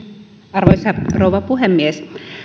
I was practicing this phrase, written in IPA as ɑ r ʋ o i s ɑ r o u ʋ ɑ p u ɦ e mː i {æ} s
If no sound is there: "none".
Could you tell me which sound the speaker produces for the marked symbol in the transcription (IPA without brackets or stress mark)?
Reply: e